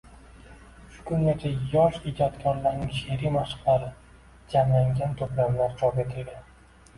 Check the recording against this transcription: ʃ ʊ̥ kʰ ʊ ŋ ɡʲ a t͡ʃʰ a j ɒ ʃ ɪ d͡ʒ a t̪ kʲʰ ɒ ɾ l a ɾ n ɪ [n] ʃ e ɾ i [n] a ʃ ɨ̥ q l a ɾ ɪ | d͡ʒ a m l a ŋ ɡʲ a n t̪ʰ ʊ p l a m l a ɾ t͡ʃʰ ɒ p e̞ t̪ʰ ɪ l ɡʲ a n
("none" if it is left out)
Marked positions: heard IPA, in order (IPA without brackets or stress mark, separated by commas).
ŋ, m